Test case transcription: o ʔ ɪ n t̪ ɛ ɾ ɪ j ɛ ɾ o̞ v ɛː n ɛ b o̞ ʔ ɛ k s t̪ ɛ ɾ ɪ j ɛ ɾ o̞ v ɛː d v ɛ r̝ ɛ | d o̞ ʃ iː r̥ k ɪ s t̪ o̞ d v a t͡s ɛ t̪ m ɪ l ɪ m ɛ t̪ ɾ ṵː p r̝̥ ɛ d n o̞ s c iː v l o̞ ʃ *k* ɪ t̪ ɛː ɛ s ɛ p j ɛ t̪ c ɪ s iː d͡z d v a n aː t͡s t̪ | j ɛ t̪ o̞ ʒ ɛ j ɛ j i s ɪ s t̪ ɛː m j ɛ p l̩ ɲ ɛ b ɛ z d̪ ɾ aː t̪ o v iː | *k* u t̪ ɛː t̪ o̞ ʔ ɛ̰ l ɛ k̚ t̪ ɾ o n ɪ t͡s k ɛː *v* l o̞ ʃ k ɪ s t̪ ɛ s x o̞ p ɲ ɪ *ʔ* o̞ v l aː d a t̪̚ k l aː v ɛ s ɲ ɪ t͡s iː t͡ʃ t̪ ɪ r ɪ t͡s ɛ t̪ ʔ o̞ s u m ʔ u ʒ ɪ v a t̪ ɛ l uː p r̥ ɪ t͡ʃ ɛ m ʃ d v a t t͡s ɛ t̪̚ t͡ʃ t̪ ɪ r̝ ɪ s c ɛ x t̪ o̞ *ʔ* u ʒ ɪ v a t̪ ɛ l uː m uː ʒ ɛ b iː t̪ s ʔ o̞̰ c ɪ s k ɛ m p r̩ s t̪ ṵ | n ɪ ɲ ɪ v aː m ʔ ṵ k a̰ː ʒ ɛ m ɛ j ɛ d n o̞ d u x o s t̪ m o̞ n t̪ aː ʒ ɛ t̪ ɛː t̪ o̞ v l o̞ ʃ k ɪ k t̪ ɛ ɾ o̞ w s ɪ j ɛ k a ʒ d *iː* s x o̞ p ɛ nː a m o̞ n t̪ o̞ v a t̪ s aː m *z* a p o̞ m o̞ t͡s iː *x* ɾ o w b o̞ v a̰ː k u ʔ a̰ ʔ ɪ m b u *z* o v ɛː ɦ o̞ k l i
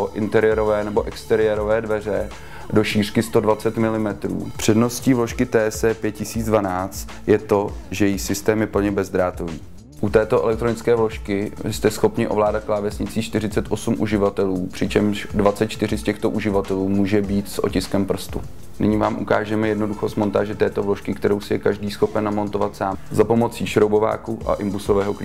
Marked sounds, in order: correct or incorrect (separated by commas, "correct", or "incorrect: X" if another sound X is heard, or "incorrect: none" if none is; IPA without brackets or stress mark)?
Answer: correct, incorrect: ʔ, correct, correct, correct, correct, correct, incorrect: ʃ, incorrect: s